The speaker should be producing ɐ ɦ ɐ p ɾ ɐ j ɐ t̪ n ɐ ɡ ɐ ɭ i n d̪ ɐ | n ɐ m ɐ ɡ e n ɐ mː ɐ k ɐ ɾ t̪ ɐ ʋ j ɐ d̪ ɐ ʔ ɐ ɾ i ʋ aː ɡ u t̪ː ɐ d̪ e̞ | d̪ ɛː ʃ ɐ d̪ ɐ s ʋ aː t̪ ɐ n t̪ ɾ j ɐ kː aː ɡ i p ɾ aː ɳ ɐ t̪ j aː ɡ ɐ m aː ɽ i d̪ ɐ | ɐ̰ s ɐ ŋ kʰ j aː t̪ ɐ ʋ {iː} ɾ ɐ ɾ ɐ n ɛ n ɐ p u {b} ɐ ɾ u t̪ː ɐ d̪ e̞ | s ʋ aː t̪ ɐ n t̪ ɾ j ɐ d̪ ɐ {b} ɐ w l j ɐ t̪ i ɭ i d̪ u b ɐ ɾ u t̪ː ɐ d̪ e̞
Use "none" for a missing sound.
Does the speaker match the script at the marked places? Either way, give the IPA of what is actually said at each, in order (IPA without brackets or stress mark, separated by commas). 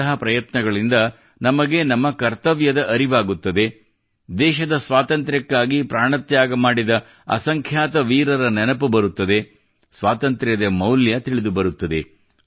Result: iː, b, m